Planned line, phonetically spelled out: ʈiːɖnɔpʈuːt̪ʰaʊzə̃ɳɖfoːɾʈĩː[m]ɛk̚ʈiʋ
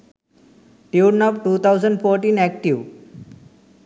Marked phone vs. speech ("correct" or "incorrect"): incorrect